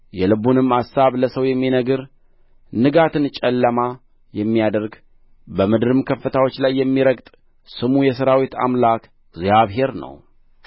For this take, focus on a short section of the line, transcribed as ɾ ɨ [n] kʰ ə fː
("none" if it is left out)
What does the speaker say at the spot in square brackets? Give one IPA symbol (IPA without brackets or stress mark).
m